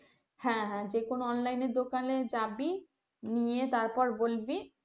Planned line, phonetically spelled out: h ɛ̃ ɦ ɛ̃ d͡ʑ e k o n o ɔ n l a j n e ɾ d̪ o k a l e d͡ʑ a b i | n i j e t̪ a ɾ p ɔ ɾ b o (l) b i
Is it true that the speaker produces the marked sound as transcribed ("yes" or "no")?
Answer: yes